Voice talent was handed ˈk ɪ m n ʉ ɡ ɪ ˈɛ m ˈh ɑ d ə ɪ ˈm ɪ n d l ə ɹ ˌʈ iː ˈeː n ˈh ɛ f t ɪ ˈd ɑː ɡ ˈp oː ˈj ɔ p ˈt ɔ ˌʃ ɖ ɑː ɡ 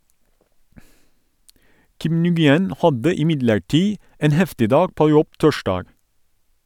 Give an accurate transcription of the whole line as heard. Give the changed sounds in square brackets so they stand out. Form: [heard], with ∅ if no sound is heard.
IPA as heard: ˈk ɪ m n ʉ ɡ ɪ ˈɛ [n] ˈh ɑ d ə ɪ ˈm ɪ [∅] d l ə ɹ ˌʈ iː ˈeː n ˈh ɛ f t ɪ ˈd ɑː ɡ ˈp oː ˈj ɔ [b] ˈt ɔ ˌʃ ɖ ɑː ɡ